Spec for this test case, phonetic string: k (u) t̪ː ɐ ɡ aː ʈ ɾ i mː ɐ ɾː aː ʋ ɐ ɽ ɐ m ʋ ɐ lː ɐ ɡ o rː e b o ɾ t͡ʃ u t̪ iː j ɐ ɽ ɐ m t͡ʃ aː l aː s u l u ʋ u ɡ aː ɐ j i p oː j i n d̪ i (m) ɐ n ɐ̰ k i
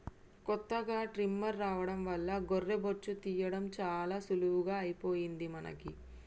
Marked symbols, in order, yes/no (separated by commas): no, yes